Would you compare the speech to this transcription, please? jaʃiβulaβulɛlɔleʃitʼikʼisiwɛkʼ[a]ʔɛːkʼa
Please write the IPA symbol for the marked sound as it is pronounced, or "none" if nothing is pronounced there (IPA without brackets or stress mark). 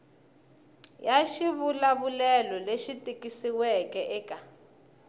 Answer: ɛ